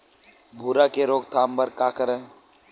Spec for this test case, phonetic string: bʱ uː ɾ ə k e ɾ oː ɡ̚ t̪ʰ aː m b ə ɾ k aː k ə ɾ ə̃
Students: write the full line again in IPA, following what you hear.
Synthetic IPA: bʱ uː ɾ a k e ɾ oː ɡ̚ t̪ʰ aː m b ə ɾ k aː k ə ɾ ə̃